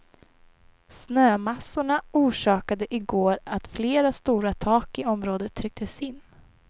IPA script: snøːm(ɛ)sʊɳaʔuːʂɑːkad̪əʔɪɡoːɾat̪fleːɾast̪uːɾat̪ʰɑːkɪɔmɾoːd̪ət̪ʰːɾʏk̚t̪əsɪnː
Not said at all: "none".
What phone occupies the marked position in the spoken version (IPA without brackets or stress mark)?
a